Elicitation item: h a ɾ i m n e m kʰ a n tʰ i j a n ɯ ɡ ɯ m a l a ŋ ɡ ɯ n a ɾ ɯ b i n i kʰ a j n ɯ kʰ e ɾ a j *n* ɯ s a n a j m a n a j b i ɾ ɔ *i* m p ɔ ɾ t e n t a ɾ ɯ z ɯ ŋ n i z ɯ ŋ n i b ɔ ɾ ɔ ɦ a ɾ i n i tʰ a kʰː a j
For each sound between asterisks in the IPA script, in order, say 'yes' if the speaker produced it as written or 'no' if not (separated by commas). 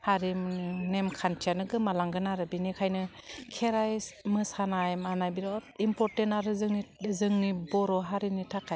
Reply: no, yes